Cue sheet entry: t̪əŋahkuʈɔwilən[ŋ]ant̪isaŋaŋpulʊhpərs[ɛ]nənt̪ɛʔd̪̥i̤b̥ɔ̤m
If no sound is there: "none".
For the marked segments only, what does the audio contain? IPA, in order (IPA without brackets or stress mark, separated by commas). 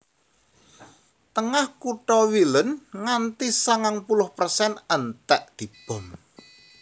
ŋ, ɛ